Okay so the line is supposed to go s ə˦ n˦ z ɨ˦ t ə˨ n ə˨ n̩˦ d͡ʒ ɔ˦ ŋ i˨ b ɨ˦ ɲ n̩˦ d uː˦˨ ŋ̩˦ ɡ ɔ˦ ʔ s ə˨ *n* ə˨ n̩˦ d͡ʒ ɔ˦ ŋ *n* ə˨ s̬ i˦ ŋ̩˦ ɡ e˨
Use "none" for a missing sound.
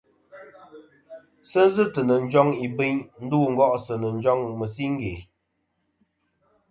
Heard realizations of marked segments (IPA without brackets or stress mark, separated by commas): n, m